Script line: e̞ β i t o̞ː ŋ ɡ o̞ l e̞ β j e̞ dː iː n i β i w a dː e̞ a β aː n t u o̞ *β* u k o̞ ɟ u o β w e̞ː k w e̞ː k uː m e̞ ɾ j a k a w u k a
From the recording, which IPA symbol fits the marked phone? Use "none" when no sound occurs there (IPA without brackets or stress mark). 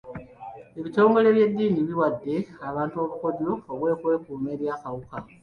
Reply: β